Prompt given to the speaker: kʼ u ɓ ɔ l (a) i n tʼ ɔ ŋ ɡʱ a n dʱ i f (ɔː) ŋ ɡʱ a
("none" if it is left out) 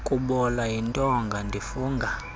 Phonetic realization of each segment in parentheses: a, uː

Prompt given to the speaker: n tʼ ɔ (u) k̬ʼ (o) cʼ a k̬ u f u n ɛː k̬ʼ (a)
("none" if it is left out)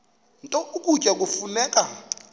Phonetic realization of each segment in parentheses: u, u, a

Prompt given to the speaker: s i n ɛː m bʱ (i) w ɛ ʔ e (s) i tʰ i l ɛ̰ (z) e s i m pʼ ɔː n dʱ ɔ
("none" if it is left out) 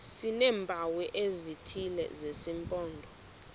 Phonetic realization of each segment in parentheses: a, z, z

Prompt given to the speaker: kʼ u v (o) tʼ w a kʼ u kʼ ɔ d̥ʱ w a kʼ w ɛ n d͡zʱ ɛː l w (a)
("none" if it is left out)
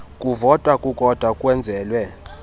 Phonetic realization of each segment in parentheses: ɔ, ɛ

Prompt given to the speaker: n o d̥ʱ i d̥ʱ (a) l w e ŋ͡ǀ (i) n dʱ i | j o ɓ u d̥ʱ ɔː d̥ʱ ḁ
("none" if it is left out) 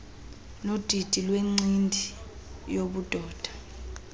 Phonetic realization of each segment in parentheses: i, i

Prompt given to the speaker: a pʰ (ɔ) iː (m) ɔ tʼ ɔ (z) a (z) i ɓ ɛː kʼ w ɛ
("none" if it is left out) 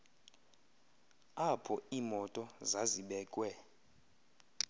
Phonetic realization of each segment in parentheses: ɔ, m, z, z

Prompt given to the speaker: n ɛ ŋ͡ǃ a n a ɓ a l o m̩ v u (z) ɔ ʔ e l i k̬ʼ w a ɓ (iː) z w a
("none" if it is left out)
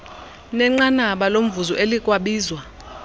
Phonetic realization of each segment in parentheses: z, iː

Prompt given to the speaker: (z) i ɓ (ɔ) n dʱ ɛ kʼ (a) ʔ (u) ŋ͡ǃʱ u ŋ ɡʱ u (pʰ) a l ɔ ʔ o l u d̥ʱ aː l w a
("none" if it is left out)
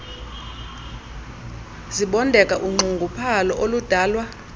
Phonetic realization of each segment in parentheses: z, ɔ, a, u, pʰ

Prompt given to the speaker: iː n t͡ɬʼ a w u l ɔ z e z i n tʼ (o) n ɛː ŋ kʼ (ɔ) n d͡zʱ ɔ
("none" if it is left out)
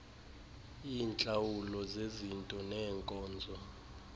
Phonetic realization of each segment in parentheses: ɔ, ɔː

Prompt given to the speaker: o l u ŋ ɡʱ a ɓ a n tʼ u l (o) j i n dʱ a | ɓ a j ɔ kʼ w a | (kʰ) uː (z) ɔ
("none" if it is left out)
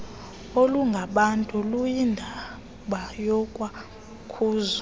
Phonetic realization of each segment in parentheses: u, kʰ, z

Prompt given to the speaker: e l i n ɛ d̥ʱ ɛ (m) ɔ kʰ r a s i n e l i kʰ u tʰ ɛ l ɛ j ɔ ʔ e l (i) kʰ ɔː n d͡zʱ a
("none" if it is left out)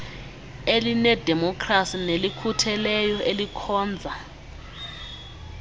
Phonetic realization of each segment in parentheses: m, i

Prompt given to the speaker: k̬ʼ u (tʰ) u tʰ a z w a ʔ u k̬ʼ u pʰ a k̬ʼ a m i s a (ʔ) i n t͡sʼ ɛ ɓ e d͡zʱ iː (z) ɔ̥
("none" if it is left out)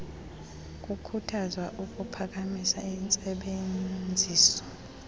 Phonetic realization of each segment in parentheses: kʰ, none, s

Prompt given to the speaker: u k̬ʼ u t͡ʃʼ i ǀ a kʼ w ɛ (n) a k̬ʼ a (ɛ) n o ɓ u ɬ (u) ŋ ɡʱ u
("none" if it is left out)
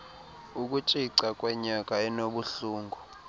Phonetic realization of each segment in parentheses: ɲ, ɛ, uː

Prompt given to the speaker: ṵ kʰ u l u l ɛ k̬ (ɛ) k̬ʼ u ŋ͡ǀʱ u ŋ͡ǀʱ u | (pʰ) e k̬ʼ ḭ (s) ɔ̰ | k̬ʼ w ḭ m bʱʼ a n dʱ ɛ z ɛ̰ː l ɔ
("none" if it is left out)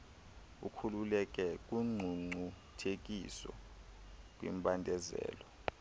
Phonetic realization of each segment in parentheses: ɛ, tʰ, s

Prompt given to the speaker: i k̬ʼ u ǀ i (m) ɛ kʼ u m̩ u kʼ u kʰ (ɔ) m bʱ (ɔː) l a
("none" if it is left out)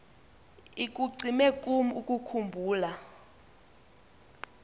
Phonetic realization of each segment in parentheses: m, u, uː

